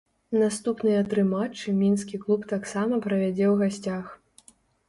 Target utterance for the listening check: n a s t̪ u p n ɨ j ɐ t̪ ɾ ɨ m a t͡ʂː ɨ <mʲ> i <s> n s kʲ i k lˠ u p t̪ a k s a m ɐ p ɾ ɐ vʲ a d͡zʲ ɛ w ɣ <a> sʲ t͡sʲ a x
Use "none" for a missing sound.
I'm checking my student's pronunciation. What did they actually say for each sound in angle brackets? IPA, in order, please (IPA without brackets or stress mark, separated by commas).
mʲ, none, a